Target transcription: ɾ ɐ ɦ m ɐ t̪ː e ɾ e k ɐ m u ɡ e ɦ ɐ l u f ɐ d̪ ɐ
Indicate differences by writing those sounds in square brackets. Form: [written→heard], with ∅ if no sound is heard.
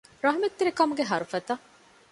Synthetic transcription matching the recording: ɾ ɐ ɦ m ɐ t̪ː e ɾ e k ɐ m u ɡ e ɦ ɐ [l→ɾ] u f ɐ [d̪→t̪] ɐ